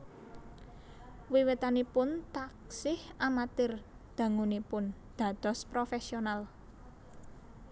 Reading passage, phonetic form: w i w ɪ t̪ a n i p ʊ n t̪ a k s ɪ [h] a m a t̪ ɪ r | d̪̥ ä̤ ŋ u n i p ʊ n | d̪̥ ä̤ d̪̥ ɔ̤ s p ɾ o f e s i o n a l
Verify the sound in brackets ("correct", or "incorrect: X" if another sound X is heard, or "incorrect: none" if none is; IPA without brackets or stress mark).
correct